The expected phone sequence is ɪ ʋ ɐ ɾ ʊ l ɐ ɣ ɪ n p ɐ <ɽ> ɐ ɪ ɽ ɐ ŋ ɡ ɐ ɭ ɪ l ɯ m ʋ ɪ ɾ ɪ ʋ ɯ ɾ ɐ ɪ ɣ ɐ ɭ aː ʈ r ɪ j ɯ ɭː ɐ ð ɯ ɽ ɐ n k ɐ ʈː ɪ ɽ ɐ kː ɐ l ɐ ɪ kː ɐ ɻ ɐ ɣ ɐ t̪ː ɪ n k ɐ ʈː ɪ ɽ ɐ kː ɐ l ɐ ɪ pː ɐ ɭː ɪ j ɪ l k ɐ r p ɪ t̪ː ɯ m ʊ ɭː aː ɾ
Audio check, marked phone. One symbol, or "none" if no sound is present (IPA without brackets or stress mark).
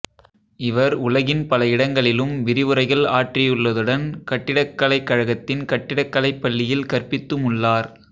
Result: l